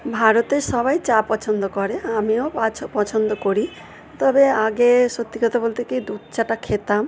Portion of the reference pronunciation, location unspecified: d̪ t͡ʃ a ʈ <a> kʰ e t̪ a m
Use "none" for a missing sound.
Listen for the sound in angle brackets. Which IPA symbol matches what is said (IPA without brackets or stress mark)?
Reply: a